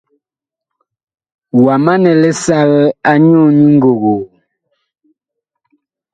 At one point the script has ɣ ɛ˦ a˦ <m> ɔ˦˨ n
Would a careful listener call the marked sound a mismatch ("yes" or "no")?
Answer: yes